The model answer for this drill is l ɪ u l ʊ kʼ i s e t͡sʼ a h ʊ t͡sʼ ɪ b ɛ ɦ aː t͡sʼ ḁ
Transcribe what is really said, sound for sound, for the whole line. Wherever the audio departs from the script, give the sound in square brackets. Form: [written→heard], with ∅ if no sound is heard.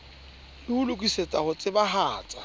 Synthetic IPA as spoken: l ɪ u l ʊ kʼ i s e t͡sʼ a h ʊ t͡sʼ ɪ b [ɛ→a] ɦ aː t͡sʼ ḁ